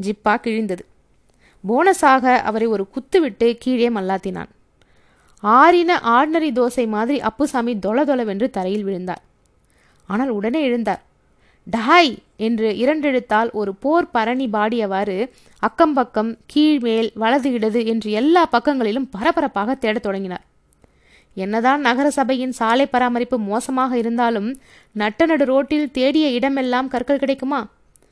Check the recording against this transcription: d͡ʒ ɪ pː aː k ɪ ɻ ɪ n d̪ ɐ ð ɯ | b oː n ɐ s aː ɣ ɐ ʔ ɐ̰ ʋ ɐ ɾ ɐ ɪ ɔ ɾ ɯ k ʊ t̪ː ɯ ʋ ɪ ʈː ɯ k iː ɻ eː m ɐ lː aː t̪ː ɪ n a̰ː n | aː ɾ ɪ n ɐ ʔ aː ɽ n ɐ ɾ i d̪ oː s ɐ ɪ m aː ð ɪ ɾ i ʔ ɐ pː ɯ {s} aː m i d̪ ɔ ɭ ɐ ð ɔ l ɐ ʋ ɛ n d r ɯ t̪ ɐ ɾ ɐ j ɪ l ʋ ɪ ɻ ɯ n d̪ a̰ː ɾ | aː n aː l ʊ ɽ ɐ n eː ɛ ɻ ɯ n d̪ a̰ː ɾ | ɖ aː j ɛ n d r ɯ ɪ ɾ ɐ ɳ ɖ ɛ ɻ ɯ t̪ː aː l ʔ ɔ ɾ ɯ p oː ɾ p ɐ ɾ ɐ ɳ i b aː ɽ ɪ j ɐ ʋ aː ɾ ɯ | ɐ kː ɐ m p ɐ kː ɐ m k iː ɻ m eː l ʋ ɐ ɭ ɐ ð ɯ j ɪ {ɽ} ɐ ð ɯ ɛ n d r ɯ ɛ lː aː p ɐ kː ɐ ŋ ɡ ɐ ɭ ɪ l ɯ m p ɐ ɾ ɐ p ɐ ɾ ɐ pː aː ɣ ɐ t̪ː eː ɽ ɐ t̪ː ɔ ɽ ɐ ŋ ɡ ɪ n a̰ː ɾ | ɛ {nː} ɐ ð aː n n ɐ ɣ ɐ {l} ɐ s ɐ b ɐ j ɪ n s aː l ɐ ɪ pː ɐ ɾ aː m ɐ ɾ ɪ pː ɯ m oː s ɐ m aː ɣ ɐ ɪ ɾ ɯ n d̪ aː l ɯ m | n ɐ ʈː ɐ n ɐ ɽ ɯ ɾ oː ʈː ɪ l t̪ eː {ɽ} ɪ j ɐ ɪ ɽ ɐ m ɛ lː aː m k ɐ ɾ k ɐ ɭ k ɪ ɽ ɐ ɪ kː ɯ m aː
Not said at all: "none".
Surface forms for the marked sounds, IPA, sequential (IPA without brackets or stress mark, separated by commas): s, ɽ, nː, ɾ, ɽ